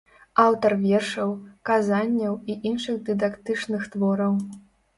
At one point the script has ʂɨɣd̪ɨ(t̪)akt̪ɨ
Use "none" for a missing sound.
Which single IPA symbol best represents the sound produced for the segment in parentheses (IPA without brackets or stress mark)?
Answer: d̪